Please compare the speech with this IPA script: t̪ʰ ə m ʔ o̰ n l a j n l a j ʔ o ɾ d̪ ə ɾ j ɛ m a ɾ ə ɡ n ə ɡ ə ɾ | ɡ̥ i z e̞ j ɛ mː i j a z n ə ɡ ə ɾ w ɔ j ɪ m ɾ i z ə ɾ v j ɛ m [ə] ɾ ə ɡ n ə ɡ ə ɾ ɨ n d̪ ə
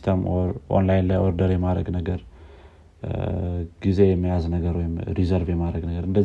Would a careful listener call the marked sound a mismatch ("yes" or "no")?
yes